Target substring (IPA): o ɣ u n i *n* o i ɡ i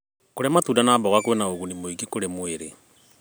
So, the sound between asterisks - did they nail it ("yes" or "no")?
no